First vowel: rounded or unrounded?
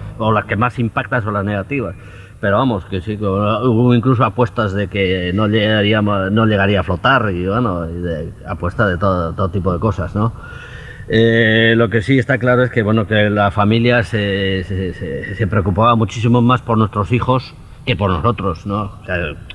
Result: rounded